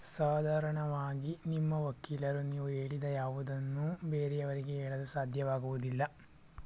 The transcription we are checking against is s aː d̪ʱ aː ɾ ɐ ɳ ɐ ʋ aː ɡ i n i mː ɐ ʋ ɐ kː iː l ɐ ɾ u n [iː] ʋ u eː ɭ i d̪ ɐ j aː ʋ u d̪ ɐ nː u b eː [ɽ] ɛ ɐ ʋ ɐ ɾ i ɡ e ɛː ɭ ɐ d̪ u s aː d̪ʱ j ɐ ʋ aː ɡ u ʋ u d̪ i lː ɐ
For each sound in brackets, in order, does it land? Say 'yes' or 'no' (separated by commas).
yes, no